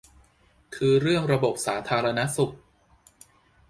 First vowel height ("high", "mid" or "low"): high